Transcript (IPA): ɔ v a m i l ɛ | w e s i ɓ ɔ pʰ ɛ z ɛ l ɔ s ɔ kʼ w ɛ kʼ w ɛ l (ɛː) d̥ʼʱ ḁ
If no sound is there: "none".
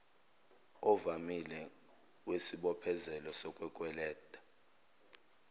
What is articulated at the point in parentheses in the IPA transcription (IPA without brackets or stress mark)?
ɛː